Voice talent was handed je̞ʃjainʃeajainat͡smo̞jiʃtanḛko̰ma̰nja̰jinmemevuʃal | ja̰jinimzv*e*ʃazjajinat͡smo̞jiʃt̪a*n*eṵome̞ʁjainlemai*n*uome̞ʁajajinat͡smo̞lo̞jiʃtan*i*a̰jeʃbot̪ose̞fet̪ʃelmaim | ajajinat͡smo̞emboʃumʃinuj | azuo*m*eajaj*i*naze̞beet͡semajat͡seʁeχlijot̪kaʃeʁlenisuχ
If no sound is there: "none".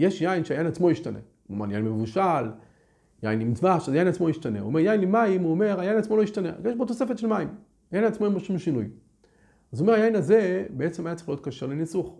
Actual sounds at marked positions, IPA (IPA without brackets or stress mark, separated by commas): a, n, m, e, m, i